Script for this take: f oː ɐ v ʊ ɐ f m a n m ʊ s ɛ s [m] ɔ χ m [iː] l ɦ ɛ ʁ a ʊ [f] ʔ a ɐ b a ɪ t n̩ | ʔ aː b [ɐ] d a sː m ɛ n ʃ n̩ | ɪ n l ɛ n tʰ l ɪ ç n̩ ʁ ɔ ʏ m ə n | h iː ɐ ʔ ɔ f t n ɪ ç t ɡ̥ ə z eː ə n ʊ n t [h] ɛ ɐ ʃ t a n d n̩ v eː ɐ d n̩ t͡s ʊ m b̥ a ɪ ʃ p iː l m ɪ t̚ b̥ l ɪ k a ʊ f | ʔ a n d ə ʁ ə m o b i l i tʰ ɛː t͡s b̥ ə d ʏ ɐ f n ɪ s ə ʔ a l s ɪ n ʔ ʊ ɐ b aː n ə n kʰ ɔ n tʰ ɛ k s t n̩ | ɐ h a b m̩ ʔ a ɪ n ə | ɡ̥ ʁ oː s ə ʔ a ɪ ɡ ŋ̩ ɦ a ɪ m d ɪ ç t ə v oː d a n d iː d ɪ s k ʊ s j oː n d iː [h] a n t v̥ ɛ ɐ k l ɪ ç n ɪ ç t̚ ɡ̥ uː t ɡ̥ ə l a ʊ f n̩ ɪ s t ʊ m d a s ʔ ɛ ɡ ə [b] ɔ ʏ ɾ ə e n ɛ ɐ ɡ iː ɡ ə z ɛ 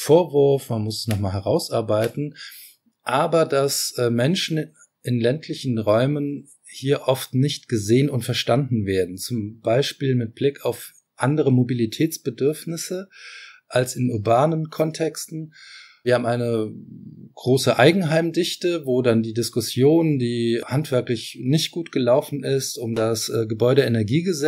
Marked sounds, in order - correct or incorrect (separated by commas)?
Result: incorrect, incorrect, incorrect, correct, incorrect, correct, correct